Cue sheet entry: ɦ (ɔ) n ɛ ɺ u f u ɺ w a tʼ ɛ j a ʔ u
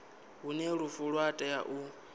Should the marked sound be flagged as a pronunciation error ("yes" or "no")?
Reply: yes